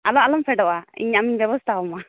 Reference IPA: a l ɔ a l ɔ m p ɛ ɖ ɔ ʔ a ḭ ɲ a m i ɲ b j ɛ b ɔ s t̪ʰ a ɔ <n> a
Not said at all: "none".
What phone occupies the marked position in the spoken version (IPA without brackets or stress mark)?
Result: m